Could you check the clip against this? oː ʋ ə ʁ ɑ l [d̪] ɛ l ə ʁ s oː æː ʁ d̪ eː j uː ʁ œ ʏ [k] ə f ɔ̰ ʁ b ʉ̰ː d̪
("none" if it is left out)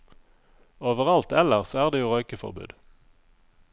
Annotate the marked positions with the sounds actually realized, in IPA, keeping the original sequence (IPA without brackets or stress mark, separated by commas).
t̪, k